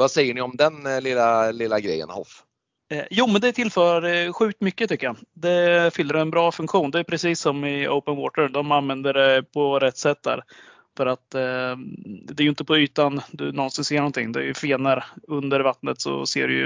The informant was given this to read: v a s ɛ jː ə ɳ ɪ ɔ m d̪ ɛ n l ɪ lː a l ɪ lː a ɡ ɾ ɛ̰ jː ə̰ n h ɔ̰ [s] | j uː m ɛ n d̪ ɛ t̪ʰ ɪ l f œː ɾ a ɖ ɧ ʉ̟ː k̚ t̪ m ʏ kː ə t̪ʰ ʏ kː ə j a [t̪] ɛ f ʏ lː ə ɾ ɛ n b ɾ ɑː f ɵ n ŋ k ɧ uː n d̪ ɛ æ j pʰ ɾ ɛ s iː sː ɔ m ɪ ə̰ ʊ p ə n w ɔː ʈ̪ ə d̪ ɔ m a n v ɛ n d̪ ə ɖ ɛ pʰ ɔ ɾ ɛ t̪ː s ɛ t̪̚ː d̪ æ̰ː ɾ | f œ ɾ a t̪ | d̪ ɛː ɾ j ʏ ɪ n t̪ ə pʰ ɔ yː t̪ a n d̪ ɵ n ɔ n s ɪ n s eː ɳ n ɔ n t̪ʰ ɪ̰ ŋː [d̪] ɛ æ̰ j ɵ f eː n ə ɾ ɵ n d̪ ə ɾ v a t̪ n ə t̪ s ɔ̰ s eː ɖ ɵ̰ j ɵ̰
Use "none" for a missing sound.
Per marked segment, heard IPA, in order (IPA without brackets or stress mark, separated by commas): f, d̪, d̪